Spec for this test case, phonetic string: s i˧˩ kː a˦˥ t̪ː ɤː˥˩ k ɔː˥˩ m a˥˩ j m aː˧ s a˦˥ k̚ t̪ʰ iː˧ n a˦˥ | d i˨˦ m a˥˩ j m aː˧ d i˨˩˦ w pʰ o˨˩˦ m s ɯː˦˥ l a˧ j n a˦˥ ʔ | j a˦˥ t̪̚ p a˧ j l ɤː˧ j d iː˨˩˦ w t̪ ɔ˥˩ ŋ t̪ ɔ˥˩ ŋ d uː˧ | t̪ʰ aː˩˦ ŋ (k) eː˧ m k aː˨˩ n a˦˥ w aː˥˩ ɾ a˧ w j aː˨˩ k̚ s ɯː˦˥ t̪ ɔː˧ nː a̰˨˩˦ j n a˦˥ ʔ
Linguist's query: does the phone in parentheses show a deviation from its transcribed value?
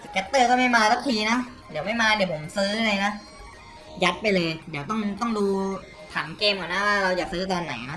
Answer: no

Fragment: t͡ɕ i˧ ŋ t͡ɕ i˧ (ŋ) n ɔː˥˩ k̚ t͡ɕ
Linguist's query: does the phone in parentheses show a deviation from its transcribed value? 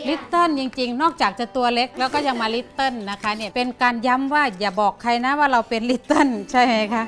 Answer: no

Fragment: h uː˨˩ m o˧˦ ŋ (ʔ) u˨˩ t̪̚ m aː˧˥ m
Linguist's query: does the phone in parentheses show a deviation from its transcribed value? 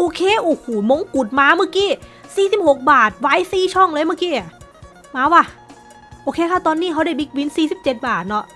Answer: yes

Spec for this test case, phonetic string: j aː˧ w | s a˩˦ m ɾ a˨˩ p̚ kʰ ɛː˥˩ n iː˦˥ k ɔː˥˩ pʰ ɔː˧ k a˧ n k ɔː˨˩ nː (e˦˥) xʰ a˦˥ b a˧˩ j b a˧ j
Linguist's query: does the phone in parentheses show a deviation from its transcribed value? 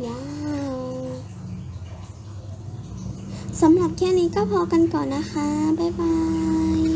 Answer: yes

